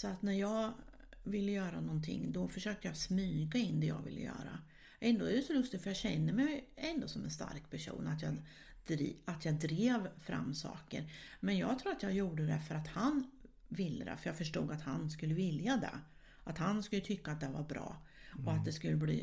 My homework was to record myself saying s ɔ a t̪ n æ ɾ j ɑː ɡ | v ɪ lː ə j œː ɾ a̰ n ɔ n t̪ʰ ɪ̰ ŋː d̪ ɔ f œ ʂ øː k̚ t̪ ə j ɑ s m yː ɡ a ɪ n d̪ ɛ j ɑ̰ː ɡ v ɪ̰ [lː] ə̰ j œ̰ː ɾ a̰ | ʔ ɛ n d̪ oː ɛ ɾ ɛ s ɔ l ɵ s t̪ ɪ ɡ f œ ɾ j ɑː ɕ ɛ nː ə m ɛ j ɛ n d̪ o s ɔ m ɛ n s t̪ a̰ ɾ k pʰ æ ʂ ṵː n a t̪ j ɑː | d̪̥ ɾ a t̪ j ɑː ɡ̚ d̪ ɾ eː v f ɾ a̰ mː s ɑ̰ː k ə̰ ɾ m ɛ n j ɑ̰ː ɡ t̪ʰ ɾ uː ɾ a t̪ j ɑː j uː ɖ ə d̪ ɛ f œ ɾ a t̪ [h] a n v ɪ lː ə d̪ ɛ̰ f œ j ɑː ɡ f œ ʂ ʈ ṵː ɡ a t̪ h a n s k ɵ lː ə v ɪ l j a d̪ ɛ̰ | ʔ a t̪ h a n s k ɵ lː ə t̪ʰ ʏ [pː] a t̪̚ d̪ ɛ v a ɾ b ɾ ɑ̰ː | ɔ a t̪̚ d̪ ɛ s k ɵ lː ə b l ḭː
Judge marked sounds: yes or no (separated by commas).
yes, yes, no